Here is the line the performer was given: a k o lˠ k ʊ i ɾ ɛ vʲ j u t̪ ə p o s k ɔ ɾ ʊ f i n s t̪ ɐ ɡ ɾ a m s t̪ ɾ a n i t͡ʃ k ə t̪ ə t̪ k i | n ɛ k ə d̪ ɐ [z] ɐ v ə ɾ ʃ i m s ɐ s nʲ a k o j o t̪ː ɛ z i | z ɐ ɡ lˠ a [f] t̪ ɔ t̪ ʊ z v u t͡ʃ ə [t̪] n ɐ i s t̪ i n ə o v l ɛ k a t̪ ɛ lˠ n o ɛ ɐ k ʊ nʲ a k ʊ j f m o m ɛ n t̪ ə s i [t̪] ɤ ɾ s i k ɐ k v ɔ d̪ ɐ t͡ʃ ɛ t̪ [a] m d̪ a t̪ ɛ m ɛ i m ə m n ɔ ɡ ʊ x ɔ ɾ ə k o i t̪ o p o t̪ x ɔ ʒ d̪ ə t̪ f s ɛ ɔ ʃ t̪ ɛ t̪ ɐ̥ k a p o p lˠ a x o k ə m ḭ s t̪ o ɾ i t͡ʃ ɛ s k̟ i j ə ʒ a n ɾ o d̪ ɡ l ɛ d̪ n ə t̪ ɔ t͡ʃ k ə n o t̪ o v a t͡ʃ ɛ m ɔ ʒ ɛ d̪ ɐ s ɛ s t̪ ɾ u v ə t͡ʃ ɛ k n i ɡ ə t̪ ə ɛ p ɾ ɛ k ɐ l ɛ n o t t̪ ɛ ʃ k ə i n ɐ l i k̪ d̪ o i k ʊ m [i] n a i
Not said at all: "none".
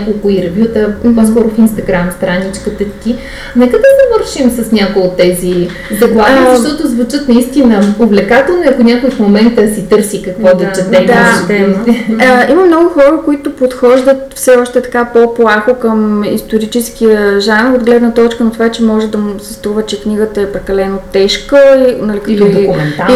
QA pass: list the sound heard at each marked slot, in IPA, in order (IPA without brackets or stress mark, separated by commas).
z, ʃ, t̪, t̪, ɛ, ɛ